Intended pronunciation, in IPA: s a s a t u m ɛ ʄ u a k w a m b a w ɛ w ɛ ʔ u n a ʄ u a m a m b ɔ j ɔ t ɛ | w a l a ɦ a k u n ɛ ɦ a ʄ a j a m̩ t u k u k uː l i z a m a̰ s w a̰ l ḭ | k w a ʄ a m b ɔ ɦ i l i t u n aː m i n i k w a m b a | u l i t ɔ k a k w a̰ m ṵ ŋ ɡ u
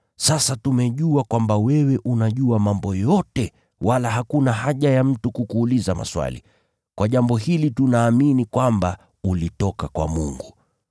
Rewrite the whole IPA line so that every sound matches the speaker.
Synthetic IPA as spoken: s a s a t u m ɛ ʄ u a k w a m b a w ɛ w ɛ ʔ u n a ʄ u a m a m b ɔ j ɔ t ɛ | w a l a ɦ a k u n a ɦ a ʄ a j a m̩ t u k u k uː l i z a m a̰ s w a̰ l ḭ | k w a ʄ a m b ɔ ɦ i l i t u n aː m i n i k w a m b a | u l i t ɔ k a k w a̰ m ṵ ŋ ɡ u